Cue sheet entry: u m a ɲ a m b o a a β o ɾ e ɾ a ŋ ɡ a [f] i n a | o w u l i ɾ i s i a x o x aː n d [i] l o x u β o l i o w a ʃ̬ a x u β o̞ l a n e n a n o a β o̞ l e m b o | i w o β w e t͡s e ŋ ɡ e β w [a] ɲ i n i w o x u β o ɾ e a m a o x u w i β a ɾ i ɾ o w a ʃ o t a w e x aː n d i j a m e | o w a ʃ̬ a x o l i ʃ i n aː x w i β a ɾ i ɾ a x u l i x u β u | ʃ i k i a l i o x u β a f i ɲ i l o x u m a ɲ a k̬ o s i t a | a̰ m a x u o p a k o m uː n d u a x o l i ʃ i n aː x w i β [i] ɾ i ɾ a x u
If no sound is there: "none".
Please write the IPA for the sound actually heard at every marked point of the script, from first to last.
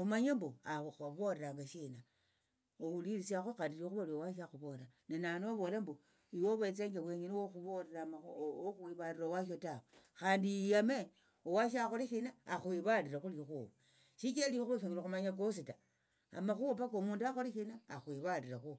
ʃ, i, e, a

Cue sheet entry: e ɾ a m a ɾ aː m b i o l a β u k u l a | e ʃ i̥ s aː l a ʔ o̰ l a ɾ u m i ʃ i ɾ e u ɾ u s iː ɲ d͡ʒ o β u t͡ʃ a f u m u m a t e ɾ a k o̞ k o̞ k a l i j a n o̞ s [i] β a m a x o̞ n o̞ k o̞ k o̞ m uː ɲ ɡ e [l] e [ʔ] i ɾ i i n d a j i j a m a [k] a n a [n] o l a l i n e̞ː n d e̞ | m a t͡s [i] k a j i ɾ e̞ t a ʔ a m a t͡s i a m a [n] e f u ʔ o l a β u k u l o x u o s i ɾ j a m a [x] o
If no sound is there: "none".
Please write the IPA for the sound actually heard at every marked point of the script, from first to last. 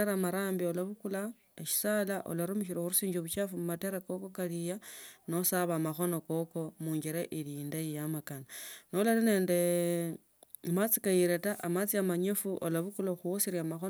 a, ɾ, ʔ, k, n, i, ɲ, x

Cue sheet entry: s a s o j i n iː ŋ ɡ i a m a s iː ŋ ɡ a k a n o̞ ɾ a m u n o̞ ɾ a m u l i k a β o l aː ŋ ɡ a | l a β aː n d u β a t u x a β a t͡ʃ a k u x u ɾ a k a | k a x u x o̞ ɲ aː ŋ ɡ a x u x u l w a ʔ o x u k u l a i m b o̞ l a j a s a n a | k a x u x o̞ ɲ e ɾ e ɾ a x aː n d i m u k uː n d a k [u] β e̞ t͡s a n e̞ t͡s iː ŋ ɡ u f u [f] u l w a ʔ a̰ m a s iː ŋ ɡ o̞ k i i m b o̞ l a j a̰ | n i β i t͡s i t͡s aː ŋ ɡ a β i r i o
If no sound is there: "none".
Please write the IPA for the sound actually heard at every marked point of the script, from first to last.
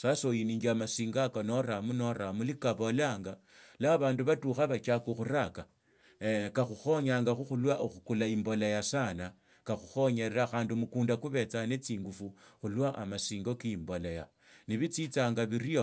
u, x

